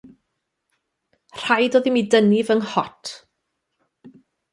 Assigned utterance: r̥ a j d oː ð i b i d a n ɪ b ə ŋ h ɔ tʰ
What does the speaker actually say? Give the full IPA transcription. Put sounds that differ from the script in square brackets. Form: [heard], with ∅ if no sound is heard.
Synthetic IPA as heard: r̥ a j d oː ð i [m] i d [ə] n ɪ [v] ə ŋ h ɔ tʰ